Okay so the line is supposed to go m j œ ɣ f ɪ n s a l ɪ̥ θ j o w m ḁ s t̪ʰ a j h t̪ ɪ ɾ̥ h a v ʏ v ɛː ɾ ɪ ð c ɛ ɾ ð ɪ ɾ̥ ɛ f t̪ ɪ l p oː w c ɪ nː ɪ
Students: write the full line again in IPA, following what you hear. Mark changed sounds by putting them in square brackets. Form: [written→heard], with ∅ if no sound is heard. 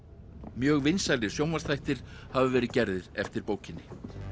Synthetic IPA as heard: m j [œ→œː] ɣ [f→v] ɪ n s a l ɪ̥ [θ→s] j o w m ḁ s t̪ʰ a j h t̪ ɪ ɾ̥ h a v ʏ v ɛː ɾ ɪ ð c ɛ ɾ ð ɪ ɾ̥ ɛ f t̪ ɪ [l→ɾ] p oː w c ɪ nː ɪ